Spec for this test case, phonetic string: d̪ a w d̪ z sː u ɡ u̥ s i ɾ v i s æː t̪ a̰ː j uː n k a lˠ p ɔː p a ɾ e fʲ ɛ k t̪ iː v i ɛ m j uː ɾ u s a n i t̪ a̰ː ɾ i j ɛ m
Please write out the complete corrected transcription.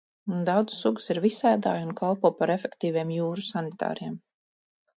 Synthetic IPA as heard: d̪ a w d̪ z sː u ɡ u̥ s i ɾ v i s æː d̪ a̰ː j u n k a lˠ p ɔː p a ɾ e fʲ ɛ k t̪ iː v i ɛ m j uː ɾ u s a n i t̪ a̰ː ɾ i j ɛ m